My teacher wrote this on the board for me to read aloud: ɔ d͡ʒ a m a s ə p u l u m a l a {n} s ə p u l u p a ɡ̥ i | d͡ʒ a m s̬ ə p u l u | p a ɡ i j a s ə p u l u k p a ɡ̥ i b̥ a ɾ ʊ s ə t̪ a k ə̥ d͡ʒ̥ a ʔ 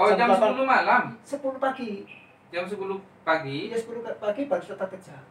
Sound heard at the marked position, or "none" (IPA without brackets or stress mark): m